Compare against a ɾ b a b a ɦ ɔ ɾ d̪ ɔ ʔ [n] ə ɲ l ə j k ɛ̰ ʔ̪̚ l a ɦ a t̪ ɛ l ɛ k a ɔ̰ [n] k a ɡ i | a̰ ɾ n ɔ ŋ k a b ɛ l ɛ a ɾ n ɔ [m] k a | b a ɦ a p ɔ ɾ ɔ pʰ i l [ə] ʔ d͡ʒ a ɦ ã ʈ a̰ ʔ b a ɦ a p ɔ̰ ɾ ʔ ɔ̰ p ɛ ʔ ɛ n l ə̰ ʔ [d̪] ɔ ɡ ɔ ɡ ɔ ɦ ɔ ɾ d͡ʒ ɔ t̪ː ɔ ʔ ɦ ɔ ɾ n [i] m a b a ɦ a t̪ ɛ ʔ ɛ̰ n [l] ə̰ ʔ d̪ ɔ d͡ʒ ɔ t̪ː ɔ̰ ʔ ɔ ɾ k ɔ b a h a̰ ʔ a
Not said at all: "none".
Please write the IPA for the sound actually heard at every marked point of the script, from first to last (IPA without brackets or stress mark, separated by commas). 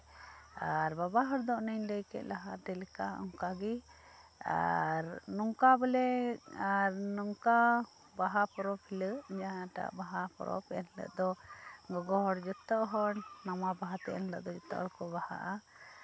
n, ŋ, ŋ, ə, d̪, a, l